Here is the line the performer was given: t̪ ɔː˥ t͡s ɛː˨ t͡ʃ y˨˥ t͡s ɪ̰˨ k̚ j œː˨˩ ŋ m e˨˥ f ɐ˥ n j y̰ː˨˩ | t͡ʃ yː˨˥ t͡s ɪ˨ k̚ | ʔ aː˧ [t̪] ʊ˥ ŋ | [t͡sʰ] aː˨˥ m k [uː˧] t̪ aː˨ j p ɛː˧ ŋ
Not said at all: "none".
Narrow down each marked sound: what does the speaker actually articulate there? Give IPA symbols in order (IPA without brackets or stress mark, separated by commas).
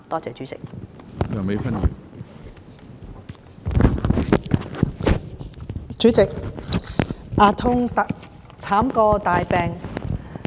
t̪ʰ, t͡sʰ, ɔː˧